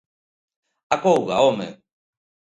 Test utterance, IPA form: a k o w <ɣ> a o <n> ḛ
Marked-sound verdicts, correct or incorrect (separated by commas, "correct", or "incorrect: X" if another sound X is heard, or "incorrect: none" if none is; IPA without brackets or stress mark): correct, incorrect: m